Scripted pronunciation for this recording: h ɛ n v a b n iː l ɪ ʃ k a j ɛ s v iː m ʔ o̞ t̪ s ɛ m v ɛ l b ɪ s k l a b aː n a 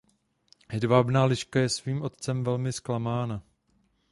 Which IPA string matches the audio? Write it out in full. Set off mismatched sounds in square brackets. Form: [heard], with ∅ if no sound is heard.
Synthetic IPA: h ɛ [d] v a b n [aː] l ɪ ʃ k a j ɛ s v iː m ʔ o̞ t̪ [t͡s] ɛ m v ɛ l [m] ɪ s k l a [m] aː n a

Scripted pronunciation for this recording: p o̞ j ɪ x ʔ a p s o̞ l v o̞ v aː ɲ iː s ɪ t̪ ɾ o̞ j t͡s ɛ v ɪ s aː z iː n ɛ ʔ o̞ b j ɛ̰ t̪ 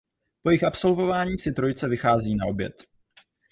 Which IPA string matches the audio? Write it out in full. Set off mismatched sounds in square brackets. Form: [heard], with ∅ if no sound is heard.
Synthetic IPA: p o̞ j ɪ x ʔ a p s o̞ l v o̞ v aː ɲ iː s ɪ t̪ ɾ o̞ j t͡s ɛ v ɪ [x] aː z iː n [a] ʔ o̞ b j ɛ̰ t̪

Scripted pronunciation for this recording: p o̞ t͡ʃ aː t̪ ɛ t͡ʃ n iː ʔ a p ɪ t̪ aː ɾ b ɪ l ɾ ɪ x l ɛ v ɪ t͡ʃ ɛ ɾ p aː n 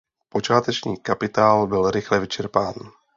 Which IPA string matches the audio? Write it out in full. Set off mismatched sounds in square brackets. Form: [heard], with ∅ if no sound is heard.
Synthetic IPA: p o̞ t͡ʃ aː t̪ ɛ t͡ʃ [ɲ] iː [k] a p ɪ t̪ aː [l] b ɪ l ɾ ɪ x l ɛ v ɪ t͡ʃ ɛ ɾ p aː n

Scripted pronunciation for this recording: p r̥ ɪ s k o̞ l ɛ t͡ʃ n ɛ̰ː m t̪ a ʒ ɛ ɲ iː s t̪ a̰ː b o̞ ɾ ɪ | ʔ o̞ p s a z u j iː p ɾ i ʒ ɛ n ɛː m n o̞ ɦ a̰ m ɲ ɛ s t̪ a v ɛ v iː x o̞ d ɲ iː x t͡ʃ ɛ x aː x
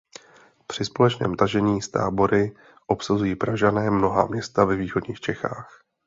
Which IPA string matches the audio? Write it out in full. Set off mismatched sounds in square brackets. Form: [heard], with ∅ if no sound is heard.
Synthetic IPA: p r̥ ɪ s [p] o̞ l ɛ t͡ʃ n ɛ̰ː m t̪ a ʒ ɛ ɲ iː s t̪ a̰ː b o̞ ɾ ɪ | ʔ o̞ p s a z u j iː p ɾ [a] ʒ [a] n ɛː m n o̞ ɦ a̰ m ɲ ɛ s t̪ a v ɛ v iː x o̞ d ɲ iː x t͡ʃ ɛ x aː x

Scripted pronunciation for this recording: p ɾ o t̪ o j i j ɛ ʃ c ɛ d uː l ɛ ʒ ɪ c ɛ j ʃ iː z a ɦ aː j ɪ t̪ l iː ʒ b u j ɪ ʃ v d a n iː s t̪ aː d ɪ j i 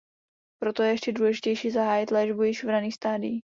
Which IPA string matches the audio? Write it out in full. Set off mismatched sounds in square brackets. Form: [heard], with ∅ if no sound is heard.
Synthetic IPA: p ɾ o t̪ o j [ɛ] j ɛ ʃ c ɛ d uː l ɛ ʒ ɪ c ɛ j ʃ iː z a ɦ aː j ɪ t̪ l [ɛː] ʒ b u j ɪ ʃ v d a n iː s t̪ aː d ɪ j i

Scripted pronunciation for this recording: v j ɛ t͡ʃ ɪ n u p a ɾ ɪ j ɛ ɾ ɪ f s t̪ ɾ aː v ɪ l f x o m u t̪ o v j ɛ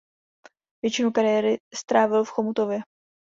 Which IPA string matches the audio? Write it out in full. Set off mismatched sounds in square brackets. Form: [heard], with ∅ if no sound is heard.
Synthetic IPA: v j ɛ t͡ʃ ɪ n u [k] a ɾ ɪ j ɛ ɾ ɪ [∅] s t̪ ɾ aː v ɪ l f x o m u t̪ o v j ɛ

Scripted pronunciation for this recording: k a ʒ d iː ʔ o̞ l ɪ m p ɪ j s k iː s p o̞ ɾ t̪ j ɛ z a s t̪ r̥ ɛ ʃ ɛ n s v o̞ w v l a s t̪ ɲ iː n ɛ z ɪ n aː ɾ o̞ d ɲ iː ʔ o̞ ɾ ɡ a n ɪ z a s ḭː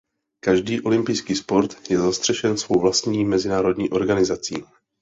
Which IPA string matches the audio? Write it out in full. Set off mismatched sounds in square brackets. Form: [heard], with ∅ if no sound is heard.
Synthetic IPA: k a ʒ d iː ʔ o̞ l ɪ m p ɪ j s k iː s p o̞ ɾ t̪ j ɛ z a s t̪ r̥ ɛ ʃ ɛ n s v o̞ w v l a s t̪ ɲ iː [m] ɛ z ɪ n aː ɾ o̞ d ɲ iː ʔ o̞ ɾ ɡ a n ɪ z a [t͡s] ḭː

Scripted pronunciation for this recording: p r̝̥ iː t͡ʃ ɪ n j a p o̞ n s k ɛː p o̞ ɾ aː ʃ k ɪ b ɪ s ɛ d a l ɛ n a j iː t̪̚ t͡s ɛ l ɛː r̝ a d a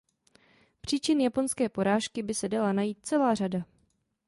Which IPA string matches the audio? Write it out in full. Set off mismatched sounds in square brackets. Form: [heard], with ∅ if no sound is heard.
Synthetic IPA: p r̝̥ iː t͡ʃ ɪ n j a p o̞ n s k ɛː p o̞ ɾ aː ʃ k ɪ b ɪ s ɛ d a l [a] n a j iː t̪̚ t͡s ɛ l [aː] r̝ a d a

